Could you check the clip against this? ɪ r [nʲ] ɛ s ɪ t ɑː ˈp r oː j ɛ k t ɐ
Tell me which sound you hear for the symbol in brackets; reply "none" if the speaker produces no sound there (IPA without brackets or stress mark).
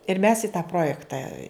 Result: mʲ